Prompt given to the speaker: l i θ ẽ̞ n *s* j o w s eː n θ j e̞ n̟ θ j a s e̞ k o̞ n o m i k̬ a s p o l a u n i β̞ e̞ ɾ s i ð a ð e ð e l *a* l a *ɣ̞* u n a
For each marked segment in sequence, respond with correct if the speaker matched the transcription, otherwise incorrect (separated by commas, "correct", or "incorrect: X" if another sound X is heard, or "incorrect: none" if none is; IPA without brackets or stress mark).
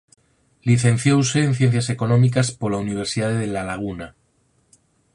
incorrect: θ, correct, correct